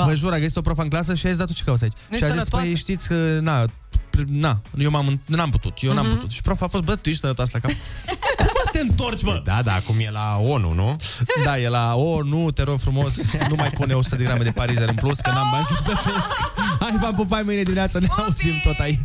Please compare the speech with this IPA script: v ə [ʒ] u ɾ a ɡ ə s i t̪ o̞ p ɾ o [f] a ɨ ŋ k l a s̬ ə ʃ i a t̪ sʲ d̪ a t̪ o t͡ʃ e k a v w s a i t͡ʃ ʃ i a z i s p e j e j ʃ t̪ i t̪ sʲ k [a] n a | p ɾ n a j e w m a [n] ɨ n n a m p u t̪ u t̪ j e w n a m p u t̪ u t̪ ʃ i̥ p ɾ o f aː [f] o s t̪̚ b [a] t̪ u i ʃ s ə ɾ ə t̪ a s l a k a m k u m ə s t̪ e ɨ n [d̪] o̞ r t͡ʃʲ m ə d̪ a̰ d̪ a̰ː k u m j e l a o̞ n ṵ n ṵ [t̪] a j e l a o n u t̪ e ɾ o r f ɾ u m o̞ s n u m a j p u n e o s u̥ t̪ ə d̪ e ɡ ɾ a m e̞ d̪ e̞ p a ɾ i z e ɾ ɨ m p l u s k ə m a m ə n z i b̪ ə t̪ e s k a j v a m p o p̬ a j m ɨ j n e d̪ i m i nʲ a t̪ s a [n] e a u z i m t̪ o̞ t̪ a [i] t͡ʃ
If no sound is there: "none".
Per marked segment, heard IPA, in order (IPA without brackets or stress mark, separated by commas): ʒ, f, ə, m, f, ə, t̪, d̪, n, i